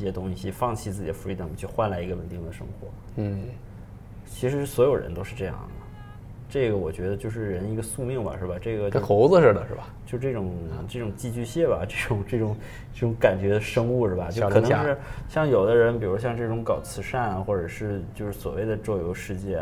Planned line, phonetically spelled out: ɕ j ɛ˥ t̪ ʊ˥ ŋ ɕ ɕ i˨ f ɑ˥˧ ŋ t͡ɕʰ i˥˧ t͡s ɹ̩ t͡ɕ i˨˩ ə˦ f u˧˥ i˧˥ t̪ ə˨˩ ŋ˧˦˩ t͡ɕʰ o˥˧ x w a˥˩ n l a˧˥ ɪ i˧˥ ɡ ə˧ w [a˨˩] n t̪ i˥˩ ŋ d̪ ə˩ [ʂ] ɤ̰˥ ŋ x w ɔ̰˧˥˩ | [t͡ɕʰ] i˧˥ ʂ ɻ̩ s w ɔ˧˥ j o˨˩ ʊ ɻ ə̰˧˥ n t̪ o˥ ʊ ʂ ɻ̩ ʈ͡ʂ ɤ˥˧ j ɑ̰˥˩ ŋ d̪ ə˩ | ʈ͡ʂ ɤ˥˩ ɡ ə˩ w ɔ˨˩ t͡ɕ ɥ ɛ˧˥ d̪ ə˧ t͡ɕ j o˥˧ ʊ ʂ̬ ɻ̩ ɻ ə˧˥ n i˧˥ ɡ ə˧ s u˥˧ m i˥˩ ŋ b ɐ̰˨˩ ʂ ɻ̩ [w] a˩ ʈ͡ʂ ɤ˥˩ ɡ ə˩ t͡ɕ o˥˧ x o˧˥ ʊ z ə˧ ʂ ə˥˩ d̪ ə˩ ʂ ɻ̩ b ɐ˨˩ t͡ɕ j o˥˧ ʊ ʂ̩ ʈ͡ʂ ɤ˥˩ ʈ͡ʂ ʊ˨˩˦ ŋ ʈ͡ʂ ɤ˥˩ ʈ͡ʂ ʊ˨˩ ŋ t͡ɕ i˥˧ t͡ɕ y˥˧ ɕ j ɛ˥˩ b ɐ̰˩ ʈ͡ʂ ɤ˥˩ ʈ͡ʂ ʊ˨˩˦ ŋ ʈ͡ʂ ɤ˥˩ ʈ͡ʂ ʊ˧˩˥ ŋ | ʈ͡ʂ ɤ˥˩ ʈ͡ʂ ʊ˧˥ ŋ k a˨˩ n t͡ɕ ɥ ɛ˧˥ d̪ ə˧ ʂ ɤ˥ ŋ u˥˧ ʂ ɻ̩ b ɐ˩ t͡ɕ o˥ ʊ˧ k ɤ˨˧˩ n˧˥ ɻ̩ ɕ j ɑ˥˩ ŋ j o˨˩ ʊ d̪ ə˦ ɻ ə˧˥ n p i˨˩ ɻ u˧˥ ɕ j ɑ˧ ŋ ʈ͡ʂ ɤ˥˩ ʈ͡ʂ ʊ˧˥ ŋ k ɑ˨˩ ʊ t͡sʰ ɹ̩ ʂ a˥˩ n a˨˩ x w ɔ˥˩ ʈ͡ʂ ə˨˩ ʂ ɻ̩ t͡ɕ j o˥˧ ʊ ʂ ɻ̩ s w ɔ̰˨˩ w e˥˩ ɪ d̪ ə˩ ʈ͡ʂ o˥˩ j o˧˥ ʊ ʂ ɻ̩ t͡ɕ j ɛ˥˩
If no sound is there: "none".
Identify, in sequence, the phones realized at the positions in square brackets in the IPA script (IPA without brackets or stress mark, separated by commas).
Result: ə˨˩, ʂ, t͡ɕʰ, b